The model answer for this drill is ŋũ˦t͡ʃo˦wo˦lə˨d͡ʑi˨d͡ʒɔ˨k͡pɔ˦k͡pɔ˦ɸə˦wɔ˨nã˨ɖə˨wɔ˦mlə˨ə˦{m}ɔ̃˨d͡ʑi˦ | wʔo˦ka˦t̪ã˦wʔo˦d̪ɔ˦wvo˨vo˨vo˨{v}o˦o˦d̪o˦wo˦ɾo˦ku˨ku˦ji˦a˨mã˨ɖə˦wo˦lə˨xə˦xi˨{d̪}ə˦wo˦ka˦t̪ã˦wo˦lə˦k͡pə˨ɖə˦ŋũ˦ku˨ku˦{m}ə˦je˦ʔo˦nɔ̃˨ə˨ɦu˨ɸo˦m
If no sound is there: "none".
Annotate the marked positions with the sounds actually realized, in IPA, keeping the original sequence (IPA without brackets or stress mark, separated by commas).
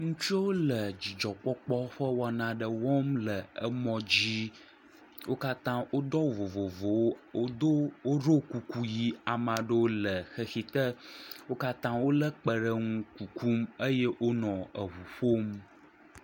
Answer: m, w, t̪, m